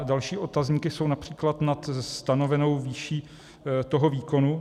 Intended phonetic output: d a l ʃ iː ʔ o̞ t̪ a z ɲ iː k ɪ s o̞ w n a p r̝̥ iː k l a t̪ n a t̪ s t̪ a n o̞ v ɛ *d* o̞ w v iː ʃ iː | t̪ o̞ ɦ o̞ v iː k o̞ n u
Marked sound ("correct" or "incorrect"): incorrect